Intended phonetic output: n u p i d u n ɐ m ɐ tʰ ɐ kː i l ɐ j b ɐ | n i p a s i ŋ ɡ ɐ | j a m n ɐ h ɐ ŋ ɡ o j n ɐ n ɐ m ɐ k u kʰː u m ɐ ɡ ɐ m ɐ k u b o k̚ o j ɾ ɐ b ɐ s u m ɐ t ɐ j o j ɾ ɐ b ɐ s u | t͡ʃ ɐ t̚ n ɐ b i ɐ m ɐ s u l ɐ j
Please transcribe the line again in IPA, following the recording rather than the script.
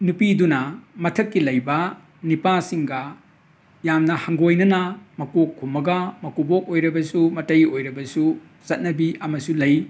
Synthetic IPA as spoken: n u p i d u n ɐ m ɐ tʰ ɐ kː i l ɐ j b ɐ | n i p a s i ŋ ɡ ɐ | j a m n ɐ h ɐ ŋ ɡ o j n ɐ n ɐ m ɐ k o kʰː u m ɐ ɡ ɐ m ɐ k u b o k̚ o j ɾ ɐ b ɐ s u m ɐ t ɐ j o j ɾ ɐ b ɐ s u | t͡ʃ ɐ t̚ n ɐ b i ɐ m ɐ s u l ɐ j